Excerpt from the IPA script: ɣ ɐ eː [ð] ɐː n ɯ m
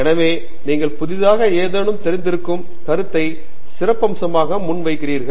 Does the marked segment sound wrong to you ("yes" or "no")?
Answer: no